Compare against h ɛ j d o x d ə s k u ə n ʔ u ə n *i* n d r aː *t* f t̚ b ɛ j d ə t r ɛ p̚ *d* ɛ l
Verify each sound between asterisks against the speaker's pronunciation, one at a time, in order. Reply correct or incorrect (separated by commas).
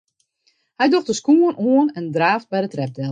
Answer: incorrect, incorrect, correct